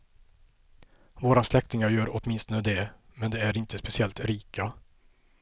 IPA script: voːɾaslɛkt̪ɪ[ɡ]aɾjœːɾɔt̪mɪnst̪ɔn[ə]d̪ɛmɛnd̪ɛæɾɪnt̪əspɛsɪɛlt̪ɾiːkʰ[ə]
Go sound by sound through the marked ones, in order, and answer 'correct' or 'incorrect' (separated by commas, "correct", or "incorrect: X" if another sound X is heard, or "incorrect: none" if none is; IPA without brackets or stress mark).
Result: incorrect: ŋ, correct, incorrect: a